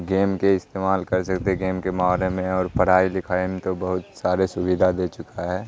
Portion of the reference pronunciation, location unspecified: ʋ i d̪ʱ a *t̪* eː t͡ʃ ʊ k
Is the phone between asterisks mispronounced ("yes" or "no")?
yes